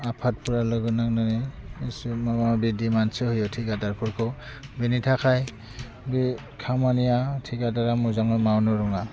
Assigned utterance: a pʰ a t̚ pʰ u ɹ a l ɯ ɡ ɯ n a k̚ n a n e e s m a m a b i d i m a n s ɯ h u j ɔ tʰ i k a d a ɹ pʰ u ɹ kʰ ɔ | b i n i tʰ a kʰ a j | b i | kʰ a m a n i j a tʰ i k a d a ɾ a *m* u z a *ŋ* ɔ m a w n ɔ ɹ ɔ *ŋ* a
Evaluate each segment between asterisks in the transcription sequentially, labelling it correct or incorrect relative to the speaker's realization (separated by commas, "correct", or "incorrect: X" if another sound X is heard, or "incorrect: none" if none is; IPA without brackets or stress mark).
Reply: correct, correct, correct